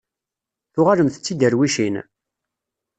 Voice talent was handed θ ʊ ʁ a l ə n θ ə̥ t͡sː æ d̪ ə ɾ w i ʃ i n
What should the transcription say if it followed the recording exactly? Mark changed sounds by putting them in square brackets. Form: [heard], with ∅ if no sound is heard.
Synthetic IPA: θ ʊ ʁ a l ə [m] θ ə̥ t͡sː [i] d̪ ə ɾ w i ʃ i n